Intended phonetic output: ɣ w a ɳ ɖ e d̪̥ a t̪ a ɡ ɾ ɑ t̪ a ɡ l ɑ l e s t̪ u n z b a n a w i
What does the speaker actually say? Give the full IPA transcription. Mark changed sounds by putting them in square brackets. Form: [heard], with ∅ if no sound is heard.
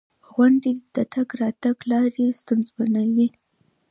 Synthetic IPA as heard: ɣ w a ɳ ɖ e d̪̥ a t̪ a ɡ ɾ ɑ t̪ a ɡ l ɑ [ɾ] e s t̪ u n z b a n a w i